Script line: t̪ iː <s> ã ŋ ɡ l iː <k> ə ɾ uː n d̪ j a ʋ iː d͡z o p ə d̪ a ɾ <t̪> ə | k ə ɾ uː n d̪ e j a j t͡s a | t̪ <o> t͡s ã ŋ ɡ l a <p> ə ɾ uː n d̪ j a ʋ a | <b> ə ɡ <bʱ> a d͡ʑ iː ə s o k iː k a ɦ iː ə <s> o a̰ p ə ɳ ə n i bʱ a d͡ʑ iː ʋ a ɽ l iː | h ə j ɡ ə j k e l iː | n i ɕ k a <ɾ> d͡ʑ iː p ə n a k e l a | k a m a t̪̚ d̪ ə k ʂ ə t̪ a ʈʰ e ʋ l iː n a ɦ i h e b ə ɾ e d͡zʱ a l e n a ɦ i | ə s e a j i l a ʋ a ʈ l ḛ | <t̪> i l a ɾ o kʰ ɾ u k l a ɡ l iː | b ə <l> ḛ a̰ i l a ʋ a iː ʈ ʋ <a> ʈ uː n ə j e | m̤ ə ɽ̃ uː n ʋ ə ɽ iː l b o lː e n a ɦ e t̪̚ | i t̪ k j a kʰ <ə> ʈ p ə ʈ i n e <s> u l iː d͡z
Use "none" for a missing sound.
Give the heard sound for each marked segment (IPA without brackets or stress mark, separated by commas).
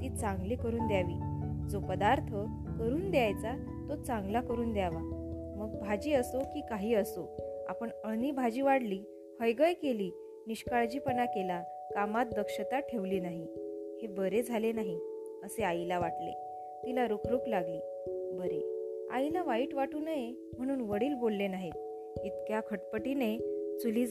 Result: t͡s, k, t̪ʰ, o, k, m, bʱ, s, ɭ, t̪, ɾ, a, ə, t͡s